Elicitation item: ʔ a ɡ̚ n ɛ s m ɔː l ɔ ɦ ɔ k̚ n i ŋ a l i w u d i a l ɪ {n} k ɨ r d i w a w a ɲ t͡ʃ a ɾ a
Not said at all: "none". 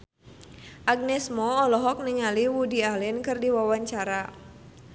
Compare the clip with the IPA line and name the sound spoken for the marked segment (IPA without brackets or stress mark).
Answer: n